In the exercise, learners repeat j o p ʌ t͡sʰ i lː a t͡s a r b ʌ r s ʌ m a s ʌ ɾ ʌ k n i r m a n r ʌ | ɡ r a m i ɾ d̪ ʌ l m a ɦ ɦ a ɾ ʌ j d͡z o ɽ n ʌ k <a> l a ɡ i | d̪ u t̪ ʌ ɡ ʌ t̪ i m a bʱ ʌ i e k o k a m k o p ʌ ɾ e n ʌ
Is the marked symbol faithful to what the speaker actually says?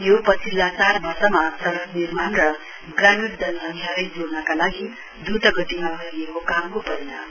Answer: yes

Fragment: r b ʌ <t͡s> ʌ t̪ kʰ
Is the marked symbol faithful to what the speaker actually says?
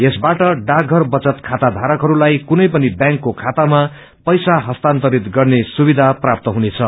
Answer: yes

